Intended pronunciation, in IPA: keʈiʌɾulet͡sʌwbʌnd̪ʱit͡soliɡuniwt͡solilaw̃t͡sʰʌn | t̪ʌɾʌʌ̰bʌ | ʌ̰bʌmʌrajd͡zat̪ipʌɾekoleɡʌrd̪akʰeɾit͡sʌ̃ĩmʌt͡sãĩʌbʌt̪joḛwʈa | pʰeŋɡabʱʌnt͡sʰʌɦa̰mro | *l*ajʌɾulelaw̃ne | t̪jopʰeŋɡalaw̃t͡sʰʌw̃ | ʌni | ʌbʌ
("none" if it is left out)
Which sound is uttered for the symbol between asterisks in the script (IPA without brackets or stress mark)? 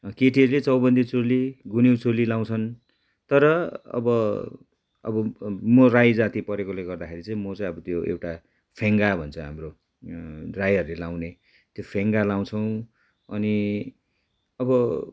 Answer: r